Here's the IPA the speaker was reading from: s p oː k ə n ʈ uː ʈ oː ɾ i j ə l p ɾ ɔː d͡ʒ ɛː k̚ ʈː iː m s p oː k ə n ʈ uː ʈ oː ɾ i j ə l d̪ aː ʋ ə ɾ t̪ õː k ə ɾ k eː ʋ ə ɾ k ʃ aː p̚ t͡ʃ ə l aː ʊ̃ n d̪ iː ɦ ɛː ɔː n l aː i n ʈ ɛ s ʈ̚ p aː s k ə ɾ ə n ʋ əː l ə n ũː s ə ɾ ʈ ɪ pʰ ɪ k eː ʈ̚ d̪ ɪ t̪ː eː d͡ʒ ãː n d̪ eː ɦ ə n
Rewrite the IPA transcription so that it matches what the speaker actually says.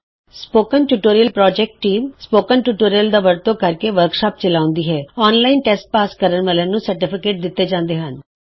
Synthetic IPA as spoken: s p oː k ə n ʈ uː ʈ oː ɾ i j ə l p ɾ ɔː d͡ʒ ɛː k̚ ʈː iː m s p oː k ə n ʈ uː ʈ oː ɾ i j ə l d̪ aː ʋ ə ɾ t̪ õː k ə ɾ k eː ʋ ə ɾ k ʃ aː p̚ t͡ʃ ə l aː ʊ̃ n d̪ iː ɦ ɛː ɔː n l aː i n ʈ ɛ s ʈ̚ p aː s k ə ɾ ə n ʋ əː l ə n ũː s ə ɾ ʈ ɪ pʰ ɪ k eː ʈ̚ d̪ ɪ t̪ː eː d͡ʒ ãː n d̪ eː ɦ ə n